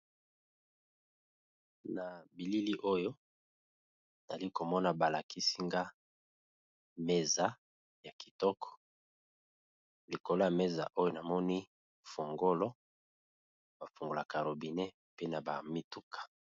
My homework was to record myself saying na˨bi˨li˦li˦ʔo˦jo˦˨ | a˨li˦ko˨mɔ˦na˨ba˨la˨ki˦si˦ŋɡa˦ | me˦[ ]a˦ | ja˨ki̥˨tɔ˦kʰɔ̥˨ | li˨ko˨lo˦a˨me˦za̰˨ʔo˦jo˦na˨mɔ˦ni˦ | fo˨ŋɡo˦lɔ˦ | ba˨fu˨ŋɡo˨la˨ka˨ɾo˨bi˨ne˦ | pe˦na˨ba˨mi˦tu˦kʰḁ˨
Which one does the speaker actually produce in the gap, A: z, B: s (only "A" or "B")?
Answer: A